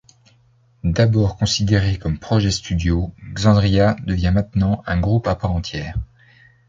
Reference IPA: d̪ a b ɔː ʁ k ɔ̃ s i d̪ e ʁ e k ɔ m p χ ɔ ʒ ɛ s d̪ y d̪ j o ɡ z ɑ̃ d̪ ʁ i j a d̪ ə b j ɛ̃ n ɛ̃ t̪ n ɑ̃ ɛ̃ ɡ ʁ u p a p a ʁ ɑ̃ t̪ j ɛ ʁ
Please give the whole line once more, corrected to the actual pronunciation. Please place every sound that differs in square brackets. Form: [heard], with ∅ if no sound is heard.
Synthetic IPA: d̪ a b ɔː ʁ k ɔ̃ s i d̪ e ʁ e k ɔ m p χ ɔ ʒ ɛ s [t̪] y d̪ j o ɡ z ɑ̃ d̪ ʁ i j a d̪ ə [v] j ɛ̃ [m] ɛ̃ t̪ n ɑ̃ ɛ̃ ɡ ʁ u p a p a ʁ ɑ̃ t̪ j [ɛː] ʁ